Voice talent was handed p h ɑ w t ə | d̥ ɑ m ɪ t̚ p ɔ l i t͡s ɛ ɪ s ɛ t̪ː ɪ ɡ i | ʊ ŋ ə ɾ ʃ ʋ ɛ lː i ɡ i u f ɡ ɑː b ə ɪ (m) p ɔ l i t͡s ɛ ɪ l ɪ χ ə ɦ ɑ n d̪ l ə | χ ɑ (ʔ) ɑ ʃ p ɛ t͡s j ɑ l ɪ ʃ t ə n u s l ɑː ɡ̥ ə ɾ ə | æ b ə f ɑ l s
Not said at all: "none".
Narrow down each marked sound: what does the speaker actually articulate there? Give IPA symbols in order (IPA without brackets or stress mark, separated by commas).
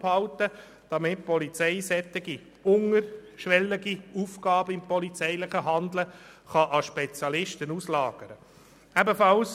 m, ʔ